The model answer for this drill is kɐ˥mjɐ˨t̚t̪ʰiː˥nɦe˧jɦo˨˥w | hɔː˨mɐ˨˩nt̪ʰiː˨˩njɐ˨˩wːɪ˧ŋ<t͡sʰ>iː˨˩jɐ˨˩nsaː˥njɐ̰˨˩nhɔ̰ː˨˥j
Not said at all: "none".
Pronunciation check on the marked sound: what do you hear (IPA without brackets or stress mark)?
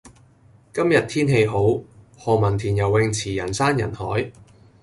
t͡sʰ